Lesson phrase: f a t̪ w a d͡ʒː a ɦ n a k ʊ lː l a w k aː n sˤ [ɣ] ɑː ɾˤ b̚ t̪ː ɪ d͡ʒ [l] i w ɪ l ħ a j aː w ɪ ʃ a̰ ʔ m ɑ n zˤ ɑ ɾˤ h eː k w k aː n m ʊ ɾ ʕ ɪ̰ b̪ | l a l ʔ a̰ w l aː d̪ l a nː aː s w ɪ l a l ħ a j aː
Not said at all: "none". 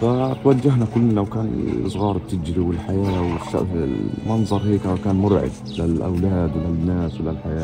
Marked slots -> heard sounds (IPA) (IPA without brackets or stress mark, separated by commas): ɣ, ɾ